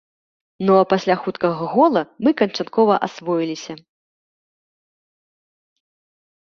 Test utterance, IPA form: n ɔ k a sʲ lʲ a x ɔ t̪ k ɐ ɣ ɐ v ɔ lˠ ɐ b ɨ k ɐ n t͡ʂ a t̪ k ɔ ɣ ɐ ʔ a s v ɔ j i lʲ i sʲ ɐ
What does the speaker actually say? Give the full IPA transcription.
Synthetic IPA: n ɔ p a sʲ lʲ a x u t̪ k ɐ ɣ ɐ ɣ ɔ lˠ ɐ m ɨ k ɐ n t͡ʂ a t̪ k ɔ v ɐ ʔ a s v ɔ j i lʲ i sʲ ɐ